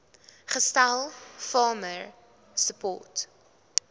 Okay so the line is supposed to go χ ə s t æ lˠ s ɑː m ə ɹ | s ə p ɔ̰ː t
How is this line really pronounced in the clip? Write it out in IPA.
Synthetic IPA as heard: χ ə s t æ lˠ f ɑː m ə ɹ | s ə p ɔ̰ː t